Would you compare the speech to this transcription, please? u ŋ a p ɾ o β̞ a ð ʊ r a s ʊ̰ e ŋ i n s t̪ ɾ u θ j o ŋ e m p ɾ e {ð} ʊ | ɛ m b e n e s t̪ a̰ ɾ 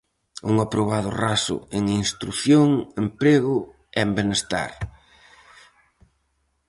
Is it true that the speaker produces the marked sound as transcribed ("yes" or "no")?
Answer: no